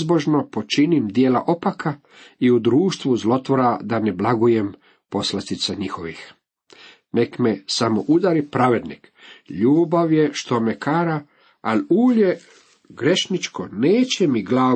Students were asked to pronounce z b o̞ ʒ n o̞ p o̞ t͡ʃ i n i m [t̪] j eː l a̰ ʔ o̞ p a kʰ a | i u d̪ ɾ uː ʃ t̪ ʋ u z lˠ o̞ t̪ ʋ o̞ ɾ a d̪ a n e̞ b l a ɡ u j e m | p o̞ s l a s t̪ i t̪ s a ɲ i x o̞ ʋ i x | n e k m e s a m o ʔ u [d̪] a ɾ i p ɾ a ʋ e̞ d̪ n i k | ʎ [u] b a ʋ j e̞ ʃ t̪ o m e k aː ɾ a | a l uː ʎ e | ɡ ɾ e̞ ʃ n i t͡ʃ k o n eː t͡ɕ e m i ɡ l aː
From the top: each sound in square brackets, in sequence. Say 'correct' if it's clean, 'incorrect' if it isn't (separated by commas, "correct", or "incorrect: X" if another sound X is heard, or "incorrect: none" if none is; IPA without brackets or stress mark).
incorrect: d̪, correct, incorrect: uː